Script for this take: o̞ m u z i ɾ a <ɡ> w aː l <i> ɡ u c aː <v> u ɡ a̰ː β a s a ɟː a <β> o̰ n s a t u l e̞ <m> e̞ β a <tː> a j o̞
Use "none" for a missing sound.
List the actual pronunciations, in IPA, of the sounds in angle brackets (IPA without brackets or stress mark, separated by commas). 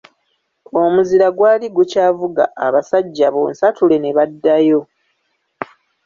ɡ, i, v, β, n, dː